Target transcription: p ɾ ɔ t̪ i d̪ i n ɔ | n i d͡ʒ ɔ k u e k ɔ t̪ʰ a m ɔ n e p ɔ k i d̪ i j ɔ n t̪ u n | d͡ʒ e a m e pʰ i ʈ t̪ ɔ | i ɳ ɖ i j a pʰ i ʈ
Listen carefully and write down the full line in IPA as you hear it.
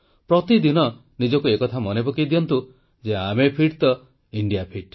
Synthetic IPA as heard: p ɾ ɔ t̪ i d̪ i n ɔ | n i d͡ʒ ɔ k u e k ɔ t̪ʰ a m ɔ n e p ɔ k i d̪ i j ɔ n t̪ u | d͡ʒ e a m e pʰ i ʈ t̪ ɔ | i ɳ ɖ i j a pʰ i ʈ